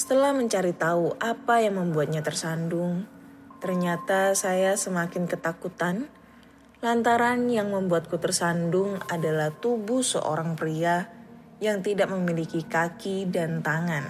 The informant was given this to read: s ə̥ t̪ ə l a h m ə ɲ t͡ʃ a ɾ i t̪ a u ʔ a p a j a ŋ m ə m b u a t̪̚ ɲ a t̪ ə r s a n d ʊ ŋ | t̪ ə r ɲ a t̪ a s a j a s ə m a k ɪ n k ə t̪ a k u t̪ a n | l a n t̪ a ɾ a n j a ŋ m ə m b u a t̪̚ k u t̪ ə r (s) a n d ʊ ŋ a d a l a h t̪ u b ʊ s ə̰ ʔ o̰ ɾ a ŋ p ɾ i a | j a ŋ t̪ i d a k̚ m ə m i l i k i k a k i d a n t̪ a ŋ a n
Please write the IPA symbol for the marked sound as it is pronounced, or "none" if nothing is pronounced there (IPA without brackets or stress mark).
s